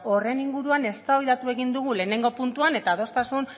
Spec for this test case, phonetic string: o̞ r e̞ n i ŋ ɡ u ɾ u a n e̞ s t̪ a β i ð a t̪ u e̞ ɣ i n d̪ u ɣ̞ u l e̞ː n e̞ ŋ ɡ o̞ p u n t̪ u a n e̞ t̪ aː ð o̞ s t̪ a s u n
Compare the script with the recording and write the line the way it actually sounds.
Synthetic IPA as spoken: o̞ r e̞ n i ŋ ɡ u ɾ u a n e̞ s t̪ a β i ð a t̪ u e̞ ɣ i n d̪ u ɣ̞ u l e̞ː n e̞ ŋ ɡ o̞ p u n t̪ u a n e̞ t̪ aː ð o̞ s t̪ a s u n